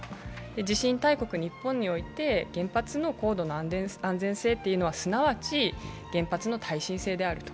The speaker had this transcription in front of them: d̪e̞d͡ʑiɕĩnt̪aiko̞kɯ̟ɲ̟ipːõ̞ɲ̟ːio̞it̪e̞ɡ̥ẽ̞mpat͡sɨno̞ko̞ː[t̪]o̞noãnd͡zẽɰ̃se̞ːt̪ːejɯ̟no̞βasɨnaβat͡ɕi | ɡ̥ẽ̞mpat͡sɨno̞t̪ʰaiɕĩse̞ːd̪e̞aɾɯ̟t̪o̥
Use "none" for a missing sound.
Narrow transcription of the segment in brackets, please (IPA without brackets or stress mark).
d̪